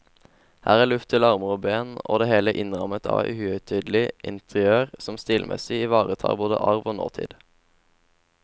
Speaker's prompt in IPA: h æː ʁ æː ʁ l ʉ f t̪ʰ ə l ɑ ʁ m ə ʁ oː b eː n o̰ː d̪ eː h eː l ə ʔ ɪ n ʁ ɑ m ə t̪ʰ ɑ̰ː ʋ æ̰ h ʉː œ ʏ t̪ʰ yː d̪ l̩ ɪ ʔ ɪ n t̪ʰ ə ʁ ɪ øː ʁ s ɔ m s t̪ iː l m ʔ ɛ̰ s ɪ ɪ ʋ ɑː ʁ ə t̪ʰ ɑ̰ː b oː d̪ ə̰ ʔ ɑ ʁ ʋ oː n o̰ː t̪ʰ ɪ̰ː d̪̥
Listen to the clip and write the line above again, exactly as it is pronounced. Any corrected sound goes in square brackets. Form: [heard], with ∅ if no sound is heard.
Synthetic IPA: h æː ʁ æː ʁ l ʉ f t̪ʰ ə l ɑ ʁ m ə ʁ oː b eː n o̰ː d̪ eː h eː l ə ʔ ɪ n ʁ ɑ m ə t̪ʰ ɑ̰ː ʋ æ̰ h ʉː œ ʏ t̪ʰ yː d̪ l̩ ɪ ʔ ɪ n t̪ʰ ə ʁ ɪ øː ʁ s ɔ m s t̪ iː l m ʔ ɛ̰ s ɪ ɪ ʋ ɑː ʁ ə t̪ʰ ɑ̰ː b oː d̪ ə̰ ʔ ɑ ʁ ʋ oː n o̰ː t̪ʰ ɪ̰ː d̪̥